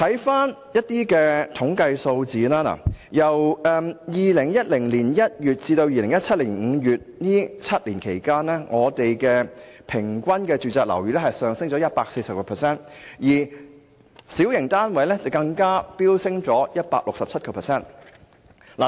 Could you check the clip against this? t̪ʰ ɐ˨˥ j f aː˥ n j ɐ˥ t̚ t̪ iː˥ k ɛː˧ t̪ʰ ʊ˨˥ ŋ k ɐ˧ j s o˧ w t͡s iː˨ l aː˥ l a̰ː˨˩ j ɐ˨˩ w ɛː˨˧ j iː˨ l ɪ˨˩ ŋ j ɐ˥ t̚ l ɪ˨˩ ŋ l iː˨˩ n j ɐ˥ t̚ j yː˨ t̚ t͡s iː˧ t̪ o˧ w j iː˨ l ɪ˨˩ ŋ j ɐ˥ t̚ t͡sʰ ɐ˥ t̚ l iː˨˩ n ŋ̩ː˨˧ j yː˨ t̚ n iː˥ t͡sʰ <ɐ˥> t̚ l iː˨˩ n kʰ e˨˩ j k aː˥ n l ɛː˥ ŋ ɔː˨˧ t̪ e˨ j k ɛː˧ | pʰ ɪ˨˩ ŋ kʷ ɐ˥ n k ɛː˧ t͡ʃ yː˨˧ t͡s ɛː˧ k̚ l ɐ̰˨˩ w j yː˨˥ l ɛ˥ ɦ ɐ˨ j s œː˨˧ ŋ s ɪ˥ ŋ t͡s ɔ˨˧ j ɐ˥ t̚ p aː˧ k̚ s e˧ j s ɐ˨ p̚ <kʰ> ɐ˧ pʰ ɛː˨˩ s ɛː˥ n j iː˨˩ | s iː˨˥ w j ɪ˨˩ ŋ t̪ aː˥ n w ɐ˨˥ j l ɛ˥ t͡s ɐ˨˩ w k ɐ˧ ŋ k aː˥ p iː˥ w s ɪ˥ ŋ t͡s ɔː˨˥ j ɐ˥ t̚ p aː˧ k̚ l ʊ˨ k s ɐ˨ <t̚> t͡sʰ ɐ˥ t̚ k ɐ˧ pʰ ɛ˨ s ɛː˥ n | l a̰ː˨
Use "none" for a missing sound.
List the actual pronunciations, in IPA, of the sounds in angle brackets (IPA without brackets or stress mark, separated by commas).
ɐ˥, k, p̚